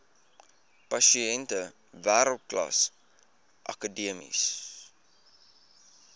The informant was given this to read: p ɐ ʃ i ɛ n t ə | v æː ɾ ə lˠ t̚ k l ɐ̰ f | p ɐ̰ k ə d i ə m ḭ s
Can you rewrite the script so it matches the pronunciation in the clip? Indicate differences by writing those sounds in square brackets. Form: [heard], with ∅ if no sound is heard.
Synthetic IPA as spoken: p ɐ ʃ i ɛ n t ə | v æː ɾ ə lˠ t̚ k l ɐ̰ [s] | [ʔ] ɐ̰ k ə d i ə m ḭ s